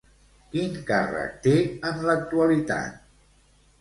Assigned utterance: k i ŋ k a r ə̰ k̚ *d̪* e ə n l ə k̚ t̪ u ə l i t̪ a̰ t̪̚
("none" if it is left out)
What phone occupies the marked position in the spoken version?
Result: t̪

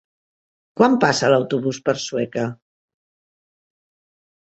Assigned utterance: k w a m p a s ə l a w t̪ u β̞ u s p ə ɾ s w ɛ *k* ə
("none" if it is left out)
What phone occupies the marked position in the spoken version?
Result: k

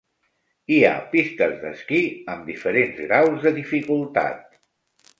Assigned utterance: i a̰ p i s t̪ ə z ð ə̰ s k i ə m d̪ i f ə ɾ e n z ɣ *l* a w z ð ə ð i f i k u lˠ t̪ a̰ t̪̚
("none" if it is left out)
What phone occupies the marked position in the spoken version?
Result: ɾ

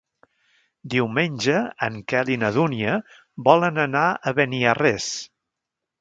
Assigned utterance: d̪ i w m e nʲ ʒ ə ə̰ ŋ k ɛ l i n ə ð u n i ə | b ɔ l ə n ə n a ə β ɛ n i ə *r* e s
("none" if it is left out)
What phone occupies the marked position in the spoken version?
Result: r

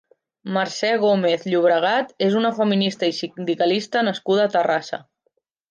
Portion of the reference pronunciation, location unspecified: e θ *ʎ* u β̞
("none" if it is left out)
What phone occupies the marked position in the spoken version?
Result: ʎ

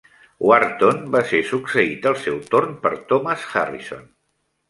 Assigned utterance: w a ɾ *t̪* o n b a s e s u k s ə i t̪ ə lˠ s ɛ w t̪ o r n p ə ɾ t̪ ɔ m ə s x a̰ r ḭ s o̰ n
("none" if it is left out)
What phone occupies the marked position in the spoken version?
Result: t̪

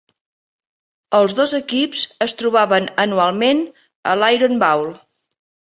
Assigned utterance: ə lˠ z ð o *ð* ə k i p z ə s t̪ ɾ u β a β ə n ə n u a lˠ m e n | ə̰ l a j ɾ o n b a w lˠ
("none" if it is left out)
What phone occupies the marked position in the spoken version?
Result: z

